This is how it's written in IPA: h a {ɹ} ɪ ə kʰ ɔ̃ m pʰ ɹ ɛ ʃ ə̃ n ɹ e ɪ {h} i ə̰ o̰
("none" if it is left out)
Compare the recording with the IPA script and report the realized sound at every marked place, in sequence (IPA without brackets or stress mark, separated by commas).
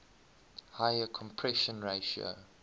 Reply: none, ʃ